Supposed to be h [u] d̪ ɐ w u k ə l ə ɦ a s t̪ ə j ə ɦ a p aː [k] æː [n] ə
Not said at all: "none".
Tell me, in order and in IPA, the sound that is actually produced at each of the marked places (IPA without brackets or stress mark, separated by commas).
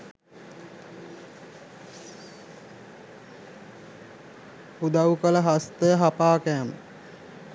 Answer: u, k, m